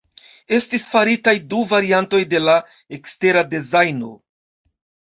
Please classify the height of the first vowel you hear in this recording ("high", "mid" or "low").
mid